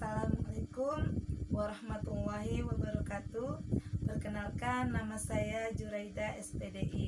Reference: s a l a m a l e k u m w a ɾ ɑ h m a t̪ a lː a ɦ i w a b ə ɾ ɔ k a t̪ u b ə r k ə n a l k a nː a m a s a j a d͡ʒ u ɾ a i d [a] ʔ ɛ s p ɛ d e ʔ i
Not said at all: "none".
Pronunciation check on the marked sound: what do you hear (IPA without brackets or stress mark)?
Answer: a